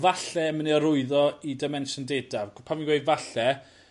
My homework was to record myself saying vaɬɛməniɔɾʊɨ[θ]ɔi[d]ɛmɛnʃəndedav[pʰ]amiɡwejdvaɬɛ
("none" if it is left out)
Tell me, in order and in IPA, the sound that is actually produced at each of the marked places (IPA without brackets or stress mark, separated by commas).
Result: ð, d, pʰ